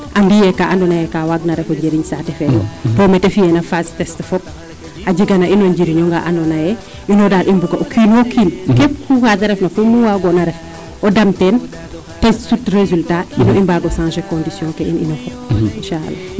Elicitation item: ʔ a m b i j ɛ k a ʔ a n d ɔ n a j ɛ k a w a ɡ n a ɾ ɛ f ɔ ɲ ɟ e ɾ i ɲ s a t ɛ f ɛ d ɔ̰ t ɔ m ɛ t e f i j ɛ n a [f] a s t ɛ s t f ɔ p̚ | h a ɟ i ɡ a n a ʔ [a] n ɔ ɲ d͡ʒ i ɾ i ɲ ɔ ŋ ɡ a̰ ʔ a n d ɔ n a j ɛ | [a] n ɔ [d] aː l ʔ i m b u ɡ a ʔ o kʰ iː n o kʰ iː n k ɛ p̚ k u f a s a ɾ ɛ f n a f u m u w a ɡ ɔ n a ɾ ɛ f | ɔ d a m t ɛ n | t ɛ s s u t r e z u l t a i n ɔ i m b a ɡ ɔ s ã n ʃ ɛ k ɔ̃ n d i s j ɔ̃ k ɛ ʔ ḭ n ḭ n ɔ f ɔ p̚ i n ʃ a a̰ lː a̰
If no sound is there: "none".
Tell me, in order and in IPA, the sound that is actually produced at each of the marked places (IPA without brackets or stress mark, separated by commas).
f, i, i, d